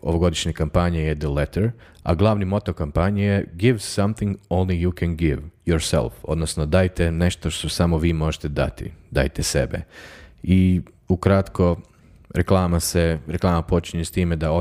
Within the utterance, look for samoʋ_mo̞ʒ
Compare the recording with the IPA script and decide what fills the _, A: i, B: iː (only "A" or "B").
B